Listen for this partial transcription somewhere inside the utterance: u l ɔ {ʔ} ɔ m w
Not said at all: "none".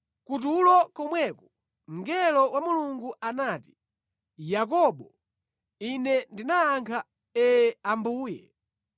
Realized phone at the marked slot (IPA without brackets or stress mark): k